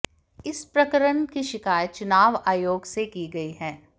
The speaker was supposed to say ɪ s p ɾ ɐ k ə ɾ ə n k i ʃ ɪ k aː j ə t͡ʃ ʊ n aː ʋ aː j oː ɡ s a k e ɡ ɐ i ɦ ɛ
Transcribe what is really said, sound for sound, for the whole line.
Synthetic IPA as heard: ɪ s p ɾ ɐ k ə ɾ ə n k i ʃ ɪ k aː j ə t͡ʃ ʊ n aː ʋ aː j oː ɡ s e k i ɡ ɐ i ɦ ɛː